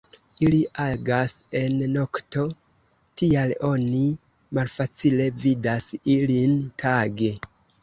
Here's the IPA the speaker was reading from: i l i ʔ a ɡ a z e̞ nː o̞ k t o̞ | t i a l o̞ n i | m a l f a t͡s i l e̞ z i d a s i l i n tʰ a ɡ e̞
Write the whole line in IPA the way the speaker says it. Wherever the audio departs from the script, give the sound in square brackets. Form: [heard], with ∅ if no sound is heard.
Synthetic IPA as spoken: i l i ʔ a ɡ a [s] e̞ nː o̞ k t o̞ | t i a l o̞ n i | m a l f a t͡s i l e̞ [v] i d a s i l i n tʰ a ɡ e̞